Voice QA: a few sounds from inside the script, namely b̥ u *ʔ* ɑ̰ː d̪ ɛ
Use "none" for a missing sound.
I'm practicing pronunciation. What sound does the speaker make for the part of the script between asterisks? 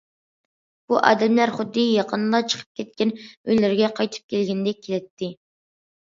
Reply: ʔ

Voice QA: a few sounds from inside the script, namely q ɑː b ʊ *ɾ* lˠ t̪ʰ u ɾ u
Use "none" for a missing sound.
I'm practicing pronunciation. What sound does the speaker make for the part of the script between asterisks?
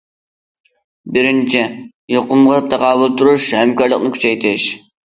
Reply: none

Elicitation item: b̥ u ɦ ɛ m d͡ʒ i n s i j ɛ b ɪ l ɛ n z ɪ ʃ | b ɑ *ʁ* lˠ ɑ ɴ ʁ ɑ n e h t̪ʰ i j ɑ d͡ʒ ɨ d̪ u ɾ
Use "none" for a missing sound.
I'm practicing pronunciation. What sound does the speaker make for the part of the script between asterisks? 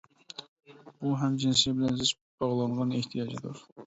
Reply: ʁ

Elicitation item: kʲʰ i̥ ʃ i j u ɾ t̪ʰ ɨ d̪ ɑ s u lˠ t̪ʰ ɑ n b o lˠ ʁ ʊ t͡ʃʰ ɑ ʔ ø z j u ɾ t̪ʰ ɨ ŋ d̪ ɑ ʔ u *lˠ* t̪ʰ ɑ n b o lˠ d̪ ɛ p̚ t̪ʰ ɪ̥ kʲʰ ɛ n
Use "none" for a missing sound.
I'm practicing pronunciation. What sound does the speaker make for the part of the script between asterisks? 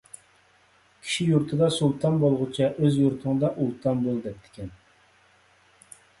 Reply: lˠ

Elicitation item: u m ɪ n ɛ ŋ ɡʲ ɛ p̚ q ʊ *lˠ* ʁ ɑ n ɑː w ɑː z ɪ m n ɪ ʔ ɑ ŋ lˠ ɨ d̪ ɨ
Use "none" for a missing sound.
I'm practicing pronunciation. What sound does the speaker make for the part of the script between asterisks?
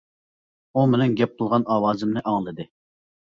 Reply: lˠ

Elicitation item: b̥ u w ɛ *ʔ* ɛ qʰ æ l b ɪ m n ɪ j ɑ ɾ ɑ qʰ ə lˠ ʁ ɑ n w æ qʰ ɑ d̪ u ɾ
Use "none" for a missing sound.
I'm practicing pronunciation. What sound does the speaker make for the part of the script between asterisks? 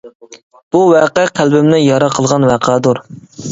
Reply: q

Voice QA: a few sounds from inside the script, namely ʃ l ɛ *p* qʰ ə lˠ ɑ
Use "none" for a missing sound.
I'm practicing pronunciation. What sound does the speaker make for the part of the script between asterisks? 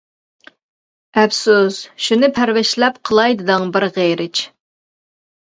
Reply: p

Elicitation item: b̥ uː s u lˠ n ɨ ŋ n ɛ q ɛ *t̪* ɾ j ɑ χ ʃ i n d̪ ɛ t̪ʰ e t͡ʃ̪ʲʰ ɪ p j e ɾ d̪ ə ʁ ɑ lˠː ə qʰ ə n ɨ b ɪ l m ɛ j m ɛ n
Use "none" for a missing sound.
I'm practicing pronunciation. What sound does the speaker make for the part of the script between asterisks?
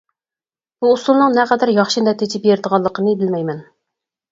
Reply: d̪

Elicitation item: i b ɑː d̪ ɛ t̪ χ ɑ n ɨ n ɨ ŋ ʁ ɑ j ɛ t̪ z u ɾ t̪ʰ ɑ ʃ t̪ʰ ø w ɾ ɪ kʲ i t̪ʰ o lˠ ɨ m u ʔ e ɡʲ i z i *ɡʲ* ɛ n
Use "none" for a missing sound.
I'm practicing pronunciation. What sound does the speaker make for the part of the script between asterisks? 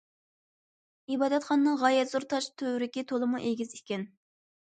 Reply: kʲ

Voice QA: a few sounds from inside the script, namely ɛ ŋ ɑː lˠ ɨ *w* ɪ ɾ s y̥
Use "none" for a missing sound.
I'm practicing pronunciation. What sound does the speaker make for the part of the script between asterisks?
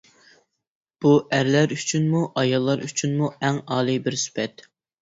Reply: b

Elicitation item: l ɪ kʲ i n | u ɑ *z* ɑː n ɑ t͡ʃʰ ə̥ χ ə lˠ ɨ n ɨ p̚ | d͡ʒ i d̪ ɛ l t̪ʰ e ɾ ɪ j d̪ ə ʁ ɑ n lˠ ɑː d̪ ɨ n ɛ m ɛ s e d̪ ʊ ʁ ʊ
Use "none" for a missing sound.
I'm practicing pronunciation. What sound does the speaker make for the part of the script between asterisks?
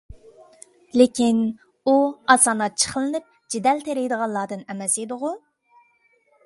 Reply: s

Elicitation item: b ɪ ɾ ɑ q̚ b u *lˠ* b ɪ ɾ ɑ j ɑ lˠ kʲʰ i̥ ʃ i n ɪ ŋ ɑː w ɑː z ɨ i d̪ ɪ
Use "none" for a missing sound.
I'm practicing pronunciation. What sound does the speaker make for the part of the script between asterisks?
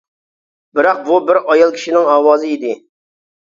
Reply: none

